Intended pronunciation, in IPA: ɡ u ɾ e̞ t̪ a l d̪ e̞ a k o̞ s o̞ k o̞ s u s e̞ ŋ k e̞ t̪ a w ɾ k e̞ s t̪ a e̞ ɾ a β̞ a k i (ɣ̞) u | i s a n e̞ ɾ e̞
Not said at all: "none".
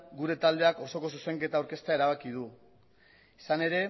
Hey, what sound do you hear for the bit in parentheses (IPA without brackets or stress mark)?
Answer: ð̞